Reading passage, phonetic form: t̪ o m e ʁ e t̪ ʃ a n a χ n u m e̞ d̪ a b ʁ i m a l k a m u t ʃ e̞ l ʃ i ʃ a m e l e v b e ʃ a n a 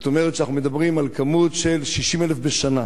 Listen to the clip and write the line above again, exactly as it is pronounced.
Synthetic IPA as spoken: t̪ o m e ʁ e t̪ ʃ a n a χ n u m e̞ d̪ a b ʁ i m a l k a m u t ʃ e̞ l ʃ i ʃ i m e l e f b e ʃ a n a